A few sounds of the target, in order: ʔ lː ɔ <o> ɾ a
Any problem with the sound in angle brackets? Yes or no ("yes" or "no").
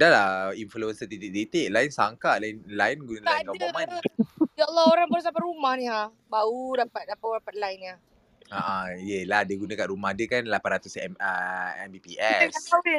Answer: no